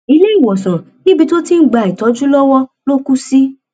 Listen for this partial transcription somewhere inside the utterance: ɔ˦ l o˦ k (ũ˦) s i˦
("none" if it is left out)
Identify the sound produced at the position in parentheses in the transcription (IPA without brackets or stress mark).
u˦